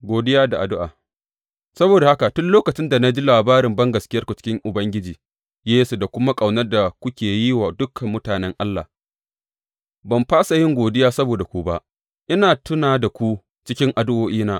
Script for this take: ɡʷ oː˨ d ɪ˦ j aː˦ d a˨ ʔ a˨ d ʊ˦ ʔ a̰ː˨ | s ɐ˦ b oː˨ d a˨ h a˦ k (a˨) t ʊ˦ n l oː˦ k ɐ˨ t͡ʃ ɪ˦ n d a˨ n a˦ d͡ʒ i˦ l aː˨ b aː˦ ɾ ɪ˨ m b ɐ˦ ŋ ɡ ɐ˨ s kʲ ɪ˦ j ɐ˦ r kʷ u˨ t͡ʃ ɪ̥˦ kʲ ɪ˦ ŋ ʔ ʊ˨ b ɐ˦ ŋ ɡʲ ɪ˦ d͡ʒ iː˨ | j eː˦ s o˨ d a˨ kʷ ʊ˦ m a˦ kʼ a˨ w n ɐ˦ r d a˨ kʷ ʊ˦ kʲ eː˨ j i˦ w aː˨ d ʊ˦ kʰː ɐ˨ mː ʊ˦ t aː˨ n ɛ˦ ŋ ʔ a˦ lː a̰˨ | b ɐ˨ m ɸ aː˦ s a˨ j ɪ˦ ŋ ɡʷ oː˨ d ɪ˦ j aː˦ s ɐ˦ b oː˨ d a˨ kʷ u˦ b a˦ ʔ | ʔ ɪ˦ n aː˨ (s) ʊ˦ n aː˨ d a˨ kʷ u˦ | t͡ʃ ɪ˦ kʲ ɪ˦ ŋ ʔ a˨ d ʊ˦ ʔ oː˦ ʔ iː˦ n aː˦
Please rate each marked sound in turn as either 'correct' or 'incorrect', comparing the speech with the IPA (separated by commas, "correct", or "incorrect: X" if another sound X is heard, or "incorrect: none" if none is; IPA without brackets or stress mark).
correct, incorrect: t